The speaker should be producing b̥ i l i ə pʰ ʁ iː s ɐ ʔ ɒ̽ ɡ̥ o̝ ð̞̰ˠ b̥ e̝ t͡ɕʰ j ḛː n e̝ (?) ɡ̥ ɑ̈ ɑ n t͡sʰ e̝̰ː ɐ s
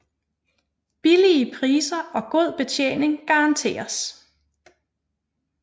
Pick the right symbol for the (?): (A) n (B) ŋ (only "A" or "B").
B